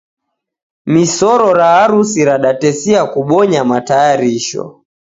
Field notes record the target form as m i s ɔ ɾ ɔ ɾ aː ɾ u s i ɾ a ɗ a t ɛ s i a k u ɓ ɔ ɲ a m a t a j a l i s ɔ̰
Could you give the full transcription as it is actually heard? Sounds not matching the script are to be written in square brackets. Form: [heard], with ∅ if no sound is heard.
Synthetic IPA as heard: m i s ɔ ɾ ɔ ɾ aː ɾ u s i ɾ a ɗ a t ɛ s i a k u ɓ ɔ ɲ a m a t a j a [ɾ] i [ʃ] ɔ̰